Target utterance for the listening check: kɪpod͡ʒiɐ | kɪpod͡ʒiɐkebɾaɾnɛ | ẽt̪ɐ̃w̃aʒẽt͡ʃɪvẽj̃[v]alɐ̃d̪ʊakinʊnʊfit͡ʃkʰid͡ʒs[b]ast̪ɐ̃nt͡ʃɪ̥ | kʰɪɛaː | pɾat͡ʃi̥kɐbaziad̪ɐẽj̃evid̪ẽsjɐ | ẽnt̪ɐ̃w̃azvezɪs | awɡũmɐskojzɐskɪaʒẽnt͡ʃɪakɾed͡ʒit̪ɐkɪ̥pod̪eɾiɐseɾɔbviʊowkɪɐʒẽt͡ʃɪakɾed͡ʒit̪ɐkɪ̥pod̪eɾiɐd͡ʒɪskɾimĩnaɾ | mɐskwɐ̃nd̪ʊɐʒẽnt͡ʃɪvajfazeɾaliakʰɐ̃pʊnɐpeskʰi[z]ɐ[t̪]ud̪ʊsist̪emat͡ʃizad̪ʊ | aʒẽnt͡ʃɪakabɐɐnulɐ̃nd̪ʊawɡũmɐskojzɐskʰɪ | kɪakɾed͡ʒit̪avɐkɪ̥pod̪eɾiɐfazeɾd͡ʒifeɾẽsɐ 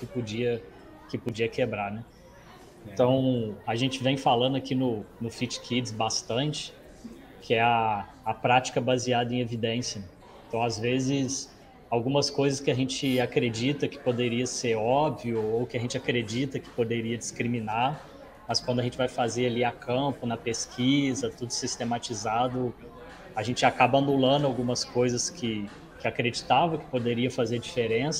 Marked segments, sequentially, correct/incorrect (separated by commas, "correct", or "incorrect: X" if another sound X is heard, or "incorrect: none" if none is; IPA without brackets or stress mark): incorrect: f, correct, correct, correct